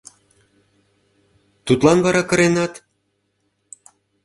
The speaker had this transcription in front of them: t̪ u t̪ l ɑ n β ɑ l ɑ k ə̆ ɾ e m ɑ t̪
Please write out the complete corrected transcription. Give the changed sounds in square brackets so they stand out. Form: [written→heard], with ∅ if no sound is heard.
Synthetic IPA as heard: t̪ u t̪ l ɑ n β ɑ [l→ɾ] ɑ k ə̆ ɾ e [m→n] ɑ t̪